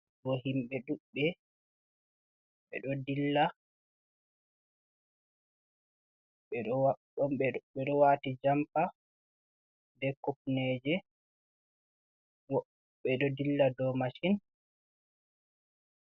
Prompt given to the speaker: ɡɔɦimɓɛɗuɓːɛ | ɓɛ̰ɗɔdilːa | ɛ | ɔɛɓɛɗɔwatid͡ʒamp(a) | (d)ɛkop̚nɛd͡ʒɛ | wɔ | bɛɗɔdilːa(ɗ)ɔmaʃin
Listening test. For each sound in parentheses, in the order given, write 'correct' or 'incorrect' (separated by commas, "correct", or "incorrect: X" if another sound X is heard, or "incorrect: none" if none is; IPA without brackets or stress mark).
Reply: correct, correct, incorrect: d